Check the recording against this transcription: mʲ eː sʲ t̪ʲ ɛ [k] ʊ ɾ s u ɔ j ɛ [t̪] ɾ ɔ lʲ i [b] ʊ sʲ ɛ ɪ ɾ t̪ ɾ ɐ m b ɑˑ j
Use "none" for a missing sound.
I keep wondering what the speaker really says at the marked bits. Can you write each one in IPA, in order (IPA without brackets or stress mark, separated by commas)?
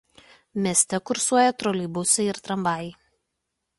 k, t̪, b